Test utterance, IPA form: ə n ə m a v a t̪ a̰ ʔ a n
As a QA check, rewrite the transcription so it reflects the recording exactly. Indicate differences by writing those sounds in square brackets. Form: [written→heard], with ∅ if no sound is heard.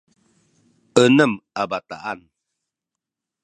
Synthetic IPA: ə n ə m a [v→b] a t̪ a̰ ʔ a n